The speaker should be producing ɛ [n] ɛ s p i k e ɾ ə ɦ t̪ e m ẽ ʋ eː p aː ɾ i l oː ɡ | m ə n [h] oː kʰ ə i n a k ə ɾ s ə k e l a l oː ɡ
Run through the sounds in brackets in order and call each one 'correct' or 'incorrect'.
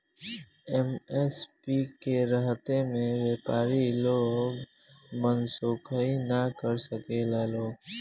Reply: incorrect, incorrect

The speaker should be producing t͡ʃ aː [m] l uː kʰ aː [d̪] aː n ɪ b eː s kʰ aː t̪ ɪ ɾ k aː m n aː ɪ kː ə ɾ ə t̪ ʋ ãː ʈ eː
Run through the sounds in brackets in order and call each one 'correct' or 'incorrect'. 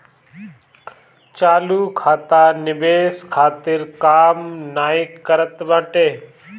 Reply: incorrect, incorrect

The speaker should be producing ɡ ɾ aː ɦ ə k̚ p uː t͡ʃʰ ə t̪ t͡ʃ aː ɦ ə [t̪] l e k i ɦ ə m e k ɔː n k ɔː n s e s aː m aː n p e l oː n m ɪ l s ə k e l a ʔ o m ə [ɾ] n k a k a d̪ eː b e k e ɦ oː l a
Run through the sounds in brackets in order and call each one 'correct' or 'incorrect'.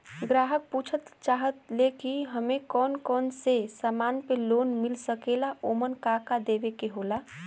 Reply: correct, incorrect

